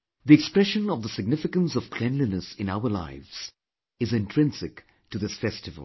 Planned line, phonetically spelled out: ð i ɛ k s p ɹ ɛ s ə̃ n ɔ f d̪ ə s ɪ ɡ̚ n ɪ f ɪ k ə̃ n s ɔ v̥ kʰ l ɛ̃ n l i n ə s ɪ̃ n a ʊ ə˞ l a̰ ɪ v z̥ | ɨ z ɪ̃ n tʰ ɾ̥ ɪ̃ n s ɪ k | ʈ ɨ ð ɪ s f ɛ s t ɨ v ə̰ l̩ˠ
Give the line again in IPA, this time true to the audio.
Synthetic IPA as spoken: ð i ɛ k s p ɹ ɛ ʃ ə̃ n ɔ v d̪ ə s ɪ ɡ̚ n ɪ f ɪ k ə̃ n s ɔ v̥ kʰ l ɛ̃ n l i n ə s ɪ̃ n a ʊ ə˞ l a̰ ɪ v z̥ | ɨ z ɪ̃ n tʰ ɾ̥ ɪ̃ n s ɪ k | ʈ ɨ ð ɪ s f ɛ s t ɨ v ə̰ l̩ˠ